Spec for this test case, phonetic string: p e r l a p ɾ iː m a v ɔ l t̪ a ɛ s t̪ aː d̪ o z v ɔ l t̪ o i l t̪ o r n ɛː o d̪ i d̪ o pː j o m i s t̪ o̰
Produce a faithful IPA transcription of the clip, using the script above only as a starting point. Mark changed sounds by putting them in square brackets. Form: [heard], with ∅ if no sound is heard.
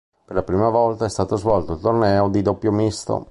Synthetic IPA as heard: p e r l a p ɾ iː m a v ɔ l t̪ a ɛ s t̪ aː [t̪] o z v ɔ l t̪ o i l t̪ o r n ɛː o d̪ i d̪ o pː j o m i s t̪ o̰

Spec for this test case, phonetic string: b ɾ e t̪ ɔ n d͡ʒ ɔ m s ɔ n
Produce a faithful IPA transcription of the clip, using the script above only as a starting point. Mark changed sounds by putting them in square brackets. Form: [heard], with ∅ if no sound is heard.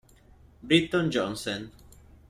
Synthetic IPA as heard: b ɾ [i] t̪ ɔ n d͡ʒ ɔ [n] s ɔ n

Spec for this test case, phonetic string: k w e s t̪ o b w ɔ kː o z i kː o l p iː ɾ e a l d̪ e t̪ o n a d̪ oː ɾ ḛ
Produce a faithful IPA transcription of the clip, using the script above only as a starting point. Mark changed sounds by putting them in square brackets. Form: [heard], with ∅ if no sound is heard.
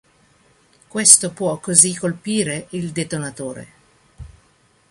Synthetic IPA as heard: k w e s t̪ o [p] w ɔ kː o z i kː o l p iː ɾ e [i] l d̪ e t̪ o n a [t̪] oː ɾ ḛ

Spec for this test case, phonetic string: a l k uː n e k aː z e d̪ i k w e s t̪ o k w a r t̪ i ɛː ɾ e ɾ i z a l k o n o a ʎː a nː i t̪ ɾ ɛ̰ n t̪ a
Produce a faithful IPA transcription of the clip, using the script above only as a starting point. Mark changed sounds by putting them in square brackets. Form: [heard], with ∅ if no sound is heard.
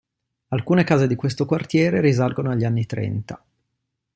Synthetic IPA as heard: a l k uː n e k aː z e d̪ i k w e s t̪ o k w a r t̪ [j] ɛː ɾ e ɾ i z a l [ɡ] o n o a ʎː a nː i t̪ ɾ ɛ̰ n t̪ a

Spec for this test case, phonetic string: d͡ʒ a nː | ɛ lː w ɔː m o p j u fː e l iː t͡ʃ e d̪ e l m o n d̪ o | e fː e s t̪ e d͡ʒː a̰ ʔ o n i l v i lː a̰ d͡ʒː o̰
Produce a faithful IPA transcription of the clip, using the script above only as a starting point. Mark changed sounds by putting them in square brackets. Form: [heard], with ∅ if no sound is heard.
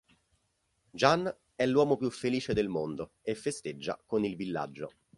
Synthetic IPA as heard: d͡ʒ a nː | ɛ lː w ɔː m o p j u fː e l iː t͡ʃ e d̪ e l m o n d̪ o | e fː e s t̪ e d͡ʒː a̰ [k] o n i l v i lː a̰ d͡ʒː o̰

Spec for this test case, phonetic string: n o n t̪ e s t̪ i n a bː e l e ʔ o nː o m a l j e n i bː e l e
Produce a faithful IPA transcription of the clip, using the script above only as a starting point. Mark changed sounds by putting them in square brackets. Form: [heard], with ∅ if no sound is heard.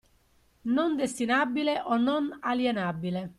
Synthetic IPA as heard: n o n [d̪] e s t̪ i n a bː [i] l e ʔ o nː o [n] a l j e n [a] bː [i] l e

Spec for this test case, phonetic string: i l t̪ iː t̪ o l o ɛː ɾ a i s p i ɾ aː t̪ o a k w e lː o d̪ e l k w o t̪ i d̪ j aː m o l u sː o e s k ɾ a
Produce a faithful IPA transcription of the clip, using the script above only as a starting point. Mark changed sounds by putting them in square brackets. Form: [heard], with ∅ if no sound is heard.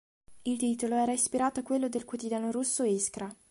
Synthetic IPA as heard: i l t̪ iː t̪ o l o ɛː ɾ a i s p i ɾ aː t̪ o a k w e lː o d̪ e l k w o t̪ i d̪ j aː [n] o [ɾ] u sː o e s k ɾ a

